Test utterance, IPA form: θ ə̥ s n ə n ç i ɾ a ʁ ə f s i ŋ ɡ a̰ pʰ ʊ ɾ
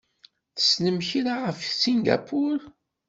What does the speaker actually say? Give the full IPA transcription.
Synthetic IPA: θ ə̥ s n ə m ç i ɾ a ʁ ə f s i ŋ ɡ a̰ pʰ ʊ ɾ